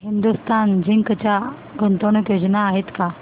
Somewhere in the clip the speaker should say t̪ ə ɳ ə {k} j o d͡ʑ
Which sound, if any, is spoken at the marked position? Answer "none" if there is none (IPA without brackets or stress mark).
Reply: k